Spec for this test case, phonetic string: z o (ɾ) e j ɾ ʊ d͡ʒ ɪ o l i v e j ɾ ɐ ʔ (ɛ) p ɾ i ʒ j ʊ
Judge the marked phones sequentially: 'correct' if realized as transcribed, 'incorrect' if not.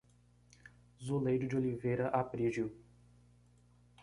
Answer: incorrect, incorrect

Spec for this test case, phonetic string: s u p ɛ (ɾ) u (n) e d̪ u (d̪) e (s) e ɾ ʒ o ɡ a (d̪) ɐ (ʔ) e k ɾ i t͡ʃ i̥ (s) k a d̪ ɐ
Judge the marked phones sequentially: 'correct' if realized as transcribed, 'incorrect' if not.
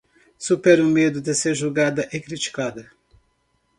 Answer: correct, incorrect, correct, correct, correct, correct, incorrect

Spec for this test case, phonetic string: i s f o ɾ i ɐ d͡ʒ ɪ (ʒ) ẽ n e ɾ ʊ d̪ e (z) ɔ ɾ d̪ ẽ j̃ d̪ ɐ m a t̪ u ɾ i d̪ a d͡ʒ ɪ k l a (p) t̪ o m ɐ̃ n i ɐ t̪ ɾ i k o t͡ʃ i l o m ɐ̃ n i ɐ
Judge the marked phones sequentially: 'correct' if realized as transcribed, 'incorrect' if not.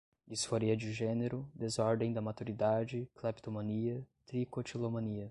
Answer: correct, correct, correct

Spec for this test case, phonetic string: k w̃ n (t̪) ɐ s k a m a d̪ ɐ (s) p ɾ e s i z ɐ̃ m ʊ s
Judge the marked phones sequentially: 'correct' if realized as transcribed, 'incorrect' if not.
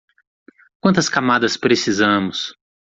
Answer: correct, correct

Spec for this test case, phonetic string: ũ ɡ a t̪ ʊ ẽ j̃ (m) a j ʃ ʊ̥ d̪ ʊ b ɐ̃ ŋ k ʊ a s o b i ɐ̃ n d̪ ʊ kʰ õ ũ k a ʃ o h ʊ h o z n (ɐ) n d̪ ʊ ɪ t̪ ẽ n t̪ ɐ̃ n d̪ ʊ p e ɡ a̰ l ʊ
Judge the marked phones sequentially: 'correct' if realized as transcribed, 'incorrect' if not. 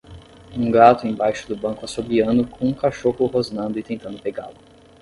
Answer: incorrect, incorrect

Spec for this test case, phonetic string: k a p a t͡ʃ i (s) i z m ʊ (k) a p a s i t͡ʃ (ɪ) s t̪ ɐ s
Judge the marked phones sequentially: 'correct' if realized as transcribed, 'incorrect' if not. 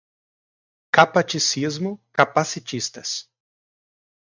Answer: correct, correct, incorrect

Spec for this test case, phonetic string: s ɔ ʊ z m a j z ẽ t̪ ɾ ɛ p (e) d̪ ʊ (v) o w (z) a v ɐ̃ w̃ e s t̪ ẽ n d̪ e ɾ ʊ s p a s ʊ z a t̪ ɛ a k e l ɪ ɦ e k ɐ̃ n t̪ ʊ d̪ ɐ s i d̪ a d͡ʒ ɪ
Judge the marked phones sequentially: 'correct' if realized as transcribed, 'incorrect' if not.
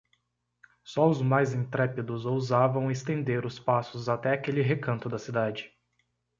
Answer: incorrect, incorrect, correct

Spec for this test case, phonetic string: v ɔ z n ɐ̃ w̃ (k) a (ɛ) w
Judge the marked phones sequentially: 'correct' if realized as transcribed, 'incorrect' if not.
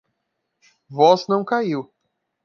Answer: correct, incorrect

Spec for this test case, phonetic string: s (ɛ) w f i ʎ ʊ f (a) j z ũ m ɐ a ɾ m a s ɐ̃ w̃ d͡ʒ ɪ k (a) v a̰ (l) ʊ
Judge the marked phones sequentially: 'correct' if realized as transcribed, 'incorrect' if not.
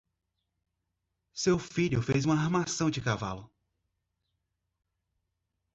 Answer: incorrect, incorrect, correct, correct

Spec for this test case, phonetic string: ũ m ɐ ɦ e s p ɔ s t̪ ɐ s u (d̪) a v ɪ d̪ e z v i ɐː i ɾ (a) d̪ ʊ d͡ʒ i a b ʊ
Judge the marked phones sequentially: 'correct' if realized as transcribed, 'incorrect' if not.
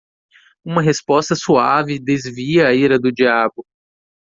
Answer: incorrect, incorrect

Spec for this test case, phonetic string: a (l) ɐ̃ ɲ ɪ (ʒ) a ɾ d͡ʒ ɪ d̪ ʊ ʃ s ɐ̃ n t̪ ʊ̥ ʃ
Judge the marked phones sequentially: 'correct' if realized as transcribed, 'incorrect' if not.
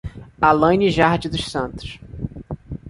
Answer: correct, correct

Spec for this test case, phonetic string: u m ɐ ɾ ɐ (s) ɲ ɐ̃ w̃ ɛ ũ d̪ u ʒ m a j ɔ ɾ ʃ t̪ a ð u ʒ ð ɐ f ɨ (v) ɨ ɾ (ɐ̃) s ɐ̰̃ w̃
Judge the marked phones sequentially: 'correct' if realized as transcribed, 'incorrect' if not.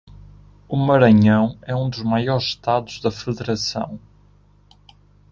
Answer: incorrect, incorrect, incorrect

